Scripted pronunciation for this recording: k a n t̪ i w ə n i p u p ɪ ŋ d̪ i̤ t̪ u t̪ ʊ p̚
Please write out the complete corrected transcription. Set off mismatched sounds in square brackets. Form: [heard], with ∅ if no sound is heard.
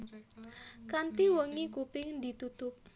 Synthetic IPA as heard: k a n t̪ i w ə [ŋ] i [k] u p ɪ ŋ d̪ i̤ t̪ u t̪ ʊ p̚